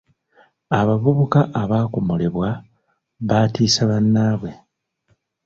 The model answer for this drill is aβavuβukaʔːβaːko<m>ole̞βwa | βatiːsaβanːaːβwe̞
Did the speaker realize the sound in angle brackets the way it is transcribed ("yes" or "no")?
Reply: yes